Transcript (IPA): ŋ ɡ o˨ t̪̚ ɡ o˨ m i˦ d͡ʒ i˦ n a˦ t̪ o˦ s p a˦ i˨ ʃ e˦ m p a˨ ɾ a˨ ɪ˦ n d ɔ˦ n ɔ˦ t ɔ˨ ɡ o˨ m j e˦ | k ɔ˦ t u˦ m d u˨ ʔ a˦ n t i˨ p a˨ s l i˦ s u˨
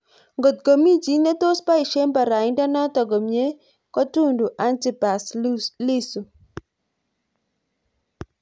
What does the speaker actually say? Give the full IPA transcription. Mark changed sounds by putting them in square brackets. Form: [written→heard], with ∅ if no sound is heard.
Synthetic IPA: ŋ ɡ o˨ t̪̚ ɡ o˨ m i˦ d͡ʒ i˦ n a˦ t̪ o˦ s p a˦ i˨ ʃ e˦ m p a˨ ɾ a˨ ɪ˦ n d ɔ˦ n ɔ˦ t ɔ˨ ɡ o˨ m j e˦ | k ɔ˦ t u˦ [m→n] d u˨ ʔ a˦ n t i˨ p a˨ s l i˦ s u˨

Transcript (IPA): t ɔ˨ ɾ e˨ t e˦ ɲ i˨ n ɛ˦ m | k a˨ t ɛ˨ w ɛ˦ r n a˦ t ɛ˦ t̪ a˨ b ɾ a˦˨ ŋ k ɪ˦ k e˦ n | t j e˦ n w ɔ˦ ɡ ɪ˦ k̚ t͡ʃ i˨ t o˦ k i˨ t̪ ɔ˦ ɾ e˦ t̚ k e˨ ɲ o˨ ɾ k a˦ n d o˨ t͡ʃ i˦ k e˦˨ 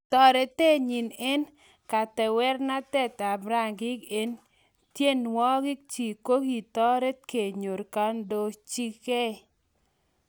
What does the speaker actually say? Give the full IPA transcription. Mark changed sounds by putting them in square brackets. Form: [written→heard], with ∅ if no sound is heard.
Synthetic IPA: t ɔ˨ ɾ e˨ t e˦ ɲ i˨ n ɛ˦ [m→n] | k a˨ t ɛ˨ w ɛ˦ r n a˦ t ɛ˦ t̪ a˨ b ɾ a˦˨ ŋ [k→ɡ] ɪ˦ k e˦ n | t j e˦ n w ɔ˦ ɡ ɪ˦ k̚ t͡ʃ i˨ [t→k] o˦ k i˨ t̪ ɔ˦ ɾ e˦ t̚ k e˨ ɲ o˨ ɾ k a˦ n d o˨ t͡ʃ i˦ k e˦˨

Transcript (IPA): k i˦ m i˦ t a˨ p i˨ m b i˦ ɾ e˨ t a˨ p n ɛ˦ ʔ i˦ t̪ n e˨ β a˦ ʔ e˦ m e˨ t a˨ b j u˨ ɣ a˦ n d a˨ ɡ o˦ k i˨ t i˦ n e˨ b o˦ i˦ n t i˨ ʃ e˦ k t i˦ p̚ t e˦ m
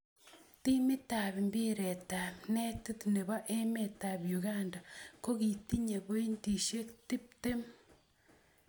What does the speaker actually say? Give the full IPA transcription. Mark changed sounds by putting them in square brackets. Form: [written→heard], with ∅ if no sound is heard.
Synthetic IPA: [k→t] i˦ m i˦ t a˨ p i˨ m b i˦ ɾ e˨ t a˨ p n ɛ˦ [ʔ→t] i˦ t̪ n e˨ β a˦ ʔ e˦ m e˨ t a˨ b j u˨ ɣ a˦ n d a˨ [ɡ→k] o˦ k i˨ t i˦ [n→ɲ] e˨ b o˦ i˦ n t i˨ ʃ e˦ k t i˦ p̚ t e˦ m

